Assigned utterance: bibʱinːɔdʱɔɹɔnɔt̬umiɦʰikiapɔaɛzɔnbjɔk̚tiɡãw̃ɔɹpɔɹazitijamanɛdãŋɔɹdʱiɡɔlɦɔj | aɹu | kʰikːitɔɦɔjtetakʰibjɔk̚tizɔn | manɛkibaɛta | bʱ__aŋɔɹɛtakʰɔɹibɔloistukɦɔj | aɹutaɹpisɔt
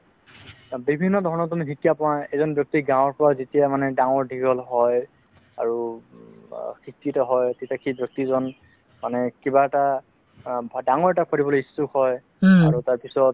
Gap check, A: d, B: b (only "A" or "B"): A